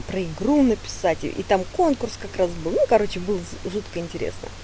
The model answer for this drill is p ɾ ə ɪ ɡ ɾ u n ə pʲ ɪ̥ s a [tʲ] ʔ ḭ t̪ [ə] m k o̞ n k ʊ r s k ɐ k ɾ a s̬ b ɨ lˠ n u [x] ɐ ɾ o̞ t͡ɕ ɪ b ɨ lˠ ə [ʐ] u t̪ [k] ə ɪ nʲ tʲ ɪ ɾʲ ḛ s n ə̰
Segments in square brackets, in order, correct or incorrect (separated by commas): correct, incorrect, incorrect, correct, correct